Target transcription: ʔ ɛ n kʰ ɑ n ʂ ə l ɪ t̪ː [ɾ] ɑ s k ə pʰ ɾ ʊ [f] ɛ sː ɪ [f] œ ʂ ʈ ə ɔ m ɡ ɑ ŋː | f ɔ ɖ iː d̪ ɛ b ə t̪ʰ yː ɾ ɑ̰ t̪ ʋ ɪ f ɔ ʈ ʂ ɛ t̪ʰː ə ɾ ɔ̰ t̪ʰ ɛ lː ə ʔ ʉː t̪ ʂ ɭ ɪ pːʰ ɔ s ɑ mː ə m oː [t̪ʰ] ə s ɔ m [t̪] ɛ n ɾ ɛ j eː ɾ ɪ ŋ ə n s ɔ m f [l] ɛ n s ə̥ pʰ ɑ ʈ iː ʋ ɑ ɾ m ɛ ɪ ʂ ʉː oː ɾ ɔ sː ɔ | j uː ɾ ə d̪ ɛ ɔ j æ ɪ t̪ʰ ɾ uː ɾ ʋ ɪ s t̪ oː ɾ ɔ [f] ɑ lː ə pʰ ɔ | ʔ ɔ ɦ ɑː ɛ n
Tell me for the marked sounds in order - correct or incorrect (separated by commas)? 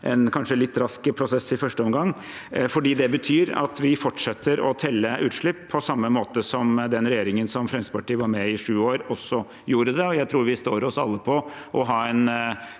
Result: correct, incorrect, correct, incorrect, incorrect, incorrect, incorrect